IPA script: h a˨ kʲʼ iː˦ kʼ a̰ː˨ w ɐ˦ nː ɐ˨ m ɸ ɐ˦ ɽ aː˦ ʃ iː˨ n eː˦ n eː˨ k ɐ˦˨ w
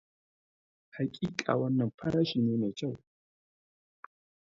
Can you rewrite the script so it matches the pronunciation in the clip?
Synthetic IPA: h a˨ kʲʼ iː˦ kʼ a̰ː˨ w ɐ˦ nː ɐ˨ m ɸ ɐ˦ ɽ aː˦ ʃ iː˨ n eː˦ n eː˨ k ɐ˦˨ w